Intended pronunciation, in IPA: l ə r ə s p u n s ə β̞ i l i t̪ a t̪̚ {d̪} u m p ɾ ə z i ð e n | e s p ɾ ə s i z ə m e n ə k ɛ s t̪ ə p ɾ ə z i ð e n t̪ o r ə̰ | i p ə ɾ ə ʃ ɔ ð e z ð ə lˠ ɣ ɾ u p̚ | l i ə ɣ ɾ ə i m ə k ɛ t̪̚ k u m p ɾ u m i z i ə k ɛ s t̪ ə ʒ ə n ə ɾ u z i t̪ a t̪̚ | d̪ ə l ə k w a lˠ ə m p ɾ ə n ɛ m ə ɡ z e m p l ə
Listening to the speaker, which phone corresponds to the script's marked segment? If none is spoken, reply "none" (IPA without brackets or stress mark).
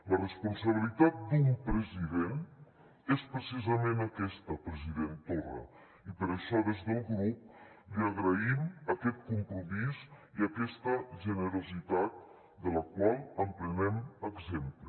d̪